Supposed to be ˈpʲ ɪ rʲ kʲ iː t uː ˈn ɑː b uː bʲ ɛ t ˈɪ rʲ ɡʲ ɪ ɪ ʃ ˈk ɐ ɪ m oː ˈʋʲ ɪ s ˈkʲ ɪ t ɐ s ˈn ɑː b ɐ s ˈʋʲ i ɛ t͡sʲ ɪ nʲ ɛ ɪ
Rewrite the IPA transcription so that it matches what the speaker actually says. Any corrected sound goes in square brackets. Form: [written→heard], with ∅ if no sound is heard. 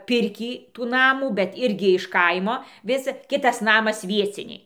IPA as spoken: ˈpʲ ɪ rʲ kʲ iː t uː ˈn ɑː [b→m] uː bʲ ɛ t ˈɪ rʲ ɡʲ ɪ ɪ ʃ ˈk ɐ ɪ m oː ˈʋʲ ɪ s ˈkʲ ɪ t ɐ s ˈn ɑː [b→m] ɐ s ˈʋʲ i ɛ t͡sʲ ɪ nʲ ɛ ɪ